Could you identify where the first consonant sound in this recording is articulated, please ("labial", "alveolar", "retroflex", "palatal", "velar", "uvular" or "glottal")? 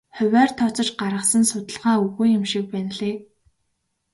uvular